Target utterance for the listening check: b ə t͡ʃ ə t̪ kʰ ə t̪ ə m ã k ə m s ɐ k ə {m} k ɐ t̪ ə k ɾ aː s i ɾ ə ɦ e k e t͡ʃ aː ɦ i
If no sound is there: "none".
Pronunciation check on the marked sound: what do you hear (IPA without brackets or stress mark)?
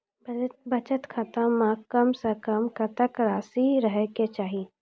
m